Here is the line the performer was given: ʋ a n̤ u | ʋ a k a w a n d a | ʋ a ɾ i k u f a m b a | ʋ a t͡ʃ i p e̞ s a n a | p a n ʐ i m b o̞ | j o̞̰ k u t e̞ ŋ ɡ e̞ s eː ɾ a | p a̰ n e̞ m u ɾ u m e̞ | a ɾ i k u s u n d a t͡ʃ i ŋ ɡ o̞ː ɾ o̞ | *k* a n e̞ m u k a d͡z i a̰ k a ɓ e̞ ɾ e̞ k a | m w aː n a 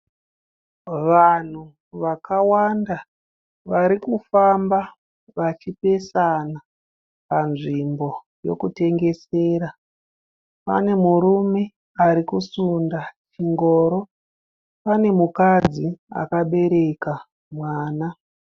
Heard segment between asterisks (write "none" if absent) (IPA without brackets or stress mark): p